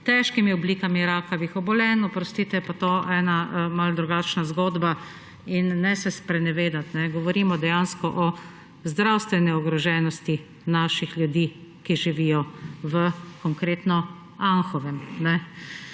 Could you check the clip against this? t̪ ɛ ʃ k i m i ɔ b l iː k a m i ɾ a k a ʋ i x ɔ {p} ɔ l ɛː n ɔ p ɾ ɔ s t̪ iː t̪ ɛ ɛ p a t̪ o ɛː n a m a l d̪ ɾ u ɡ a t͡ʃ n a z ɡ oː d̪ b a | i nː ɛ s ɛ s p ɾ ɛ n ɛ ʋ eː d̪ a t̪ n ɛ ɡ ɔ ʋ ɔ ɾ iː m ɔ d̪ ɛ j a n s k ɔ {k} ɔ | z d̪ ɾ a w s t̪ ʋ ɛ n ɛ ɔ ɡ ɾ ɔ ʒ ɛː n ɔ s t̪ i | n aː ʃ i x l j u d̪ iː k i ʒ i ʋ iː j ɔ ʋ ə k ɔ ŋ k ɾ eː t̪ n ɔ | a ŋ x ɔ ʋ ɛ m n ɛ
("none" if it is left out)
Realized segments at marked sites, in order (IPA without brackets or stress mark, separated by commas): b, ʔ